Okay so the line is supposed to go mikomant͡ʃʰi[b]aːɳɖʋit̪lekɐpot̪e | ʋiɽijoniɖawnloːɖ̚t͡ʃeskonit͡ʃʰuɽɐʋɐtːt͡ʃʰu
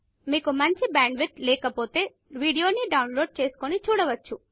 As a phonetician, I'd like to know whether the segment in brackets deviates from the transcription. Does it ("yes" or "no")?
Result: no